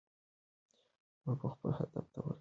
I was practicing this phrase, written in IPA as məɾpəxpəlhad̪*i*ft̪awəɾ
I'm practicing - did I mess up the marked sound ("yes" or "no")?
yes